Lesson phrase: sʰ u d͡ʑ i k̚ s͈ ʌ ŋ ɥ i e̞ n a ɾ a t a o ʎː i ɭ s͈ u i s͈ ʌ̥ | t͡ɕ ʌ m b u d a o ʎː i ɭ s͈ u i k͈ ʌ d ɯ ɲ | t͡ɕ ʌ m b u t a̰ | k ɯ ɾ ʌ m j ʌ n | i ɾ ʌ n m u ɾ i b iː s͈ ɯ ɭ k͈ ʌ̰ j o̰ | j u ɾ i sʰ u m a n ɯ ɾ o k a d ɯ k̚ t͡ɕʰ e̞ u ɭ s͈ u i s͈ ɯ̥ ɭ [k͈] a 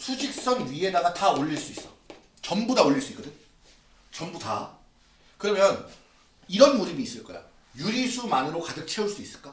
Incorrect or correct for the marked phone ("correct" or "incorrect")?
correct